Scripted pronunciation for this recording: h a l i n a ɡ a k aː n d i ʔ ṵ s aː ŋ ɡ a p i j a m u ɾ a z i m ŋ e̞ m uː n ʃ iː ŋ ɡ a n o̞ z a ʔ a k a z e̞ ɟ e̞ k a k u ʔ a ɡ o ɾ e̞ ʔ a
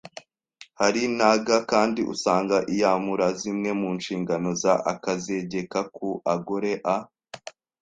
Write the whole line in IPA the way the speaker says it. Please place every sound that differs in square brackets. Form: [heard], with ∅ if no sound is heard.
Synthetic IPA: h a [ɾ] i n a ɡ a k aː n d i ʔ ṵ s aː ŋ ɡ a [ʔ] i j a m u ɾ a z i m ŋ e̞ m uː n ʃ iː ŋ ɡ a n o̞ z a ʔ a k a z e̞ ɟ e̞ k a k u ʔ a ɡ o ɾ e̞ ʔ a